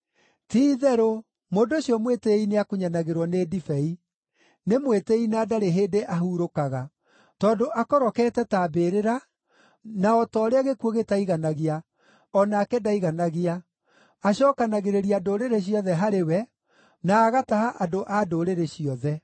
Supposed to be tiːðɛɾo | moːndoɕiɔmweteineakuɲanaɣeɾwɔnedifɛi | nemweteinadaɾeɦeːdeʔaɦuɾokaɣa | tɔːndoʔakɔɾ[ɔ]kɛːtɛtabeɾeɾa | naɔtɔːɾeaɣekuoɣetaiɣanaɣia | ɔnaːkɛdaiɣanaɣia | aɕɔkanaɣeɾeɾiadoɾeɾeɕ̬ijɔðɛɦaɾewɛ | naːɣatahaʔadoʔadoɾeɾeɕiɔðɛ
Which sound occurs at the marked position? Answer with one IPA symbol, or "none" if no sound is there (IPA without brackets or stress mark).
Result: ɔ